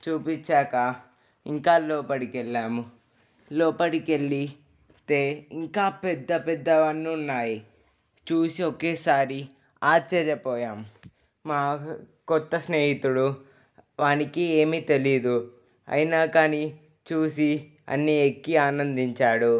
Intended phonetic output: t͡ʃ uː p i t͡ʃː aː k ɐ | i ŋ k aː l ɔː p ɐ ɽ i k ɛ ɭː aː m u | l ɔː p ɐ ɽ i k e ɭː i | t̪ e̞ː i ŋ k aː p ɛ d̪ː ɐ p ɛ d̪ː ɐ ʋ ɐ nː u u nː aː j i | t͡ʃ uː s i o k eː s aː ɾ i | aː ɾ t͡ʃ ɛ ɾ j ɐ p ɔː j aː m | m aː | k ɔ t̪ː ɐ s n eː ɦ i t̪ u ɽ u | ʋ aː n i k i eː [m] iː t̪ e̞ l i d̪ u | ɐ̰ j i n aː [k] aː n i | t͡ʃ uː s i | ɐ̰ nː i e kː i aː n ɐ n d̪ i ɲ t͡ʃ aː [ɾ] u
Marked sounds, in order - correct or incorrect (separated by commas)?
correct, correct, incorrect